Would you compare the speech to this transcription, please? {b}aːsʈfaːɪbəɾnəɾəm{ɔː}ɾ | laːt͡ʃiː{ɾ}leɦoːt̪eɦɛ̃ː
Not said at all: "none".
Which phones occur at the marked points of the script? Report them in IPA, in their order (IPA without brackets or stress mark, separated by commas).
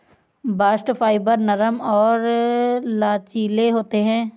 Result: b, ɔː, none